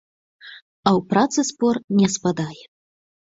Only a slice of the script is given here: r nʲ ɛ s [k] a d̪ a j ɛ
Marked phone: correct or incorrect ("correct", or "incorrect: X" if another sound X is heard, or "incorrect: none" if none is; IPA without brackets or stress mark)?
incorrect: p